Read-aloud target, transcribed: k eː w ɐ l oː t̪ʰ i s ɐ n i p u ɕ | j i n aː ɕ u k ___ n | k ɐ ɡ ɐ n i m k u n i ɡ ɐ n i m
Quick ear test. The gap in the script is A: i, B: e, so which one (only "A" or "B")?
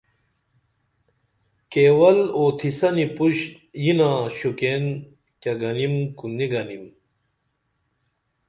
B